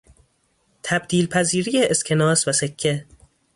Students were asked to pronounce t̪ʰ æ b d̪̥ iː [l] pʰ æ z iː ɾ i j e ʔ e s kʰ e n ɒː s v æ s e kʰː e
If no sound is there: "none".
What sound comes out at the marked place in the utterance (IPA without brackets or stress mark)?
l